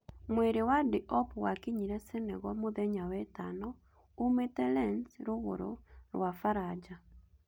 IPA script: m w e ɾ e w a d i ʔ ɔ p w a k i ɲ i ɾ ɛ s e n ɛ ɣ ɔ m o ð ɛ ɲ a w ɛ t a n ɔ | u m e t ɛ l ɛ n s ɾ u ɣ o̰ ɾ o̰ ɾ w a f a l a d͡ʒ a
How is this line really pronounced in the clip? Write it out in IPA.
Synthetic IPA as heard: m w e ɾ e w a d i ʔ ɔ p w a k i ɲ i ɾ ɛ s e n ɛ ɣ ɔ m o ð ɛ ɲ a w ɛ t a n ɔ | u m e t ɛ l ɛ n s ɾ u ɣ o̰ ɾ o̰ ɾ w a f a ɾ a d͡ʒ a